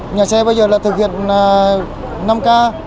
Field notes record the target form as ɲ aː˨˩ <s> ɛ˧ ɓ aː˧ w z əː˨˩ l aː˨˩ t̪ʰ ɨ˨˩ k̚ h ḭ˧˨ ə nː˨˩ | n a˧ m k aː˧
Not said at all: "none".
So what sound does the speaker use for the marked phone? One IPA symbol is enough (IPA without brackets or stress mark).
s